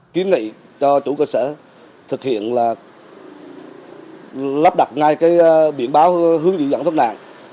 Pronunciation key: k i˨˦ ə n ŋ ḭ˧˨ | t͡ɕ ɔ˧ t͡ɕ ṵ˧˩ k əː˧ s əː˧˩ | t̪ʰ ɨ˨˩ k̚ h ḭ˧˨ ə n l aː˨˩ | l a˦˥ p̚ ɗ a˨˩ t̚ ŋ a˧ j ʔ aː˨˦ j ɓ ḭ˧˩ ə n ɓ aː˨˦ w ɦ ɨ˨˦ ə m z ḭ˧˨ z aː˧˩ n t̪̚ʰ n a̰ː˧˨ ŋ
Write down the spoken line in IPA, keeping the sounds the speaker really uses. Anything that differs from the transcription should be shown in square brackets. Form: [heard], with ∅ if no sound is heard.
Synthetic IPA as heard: k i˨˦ ə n ŋ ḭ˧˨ | t͡ɕ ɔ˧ t͡ɕ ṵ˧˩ k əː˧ s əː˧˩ | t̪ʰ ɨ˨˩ k̚ h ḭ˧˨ ə n l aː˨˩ | l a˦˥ p̚ ɗ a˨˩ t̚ ŋ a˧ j [k] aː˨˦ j ɓ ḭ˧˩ ə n ɓ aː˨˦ w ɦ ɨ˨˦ ə [ŋ] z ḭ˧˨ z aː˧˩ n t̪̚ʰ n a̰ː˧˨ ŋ